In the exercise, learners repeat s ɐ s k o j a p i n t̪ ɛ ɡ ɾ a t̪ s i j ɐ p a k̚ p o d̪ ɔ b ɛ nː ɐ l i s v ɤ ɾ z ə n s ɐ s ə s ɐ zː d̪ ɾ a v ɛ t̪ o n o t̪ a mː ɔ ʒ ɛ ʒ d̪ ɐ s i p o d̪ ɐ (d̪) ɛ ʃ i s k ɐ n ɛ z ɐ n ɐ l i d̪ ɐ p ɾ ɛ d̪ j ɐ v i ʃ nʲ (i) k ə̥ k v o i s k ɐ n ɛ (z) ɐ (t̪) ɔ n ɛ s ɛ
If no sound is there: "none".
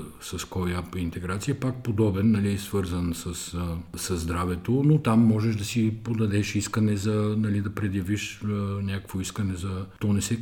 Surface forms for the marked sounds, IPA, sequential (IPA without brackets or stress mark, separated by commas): d̪, a, z, t̪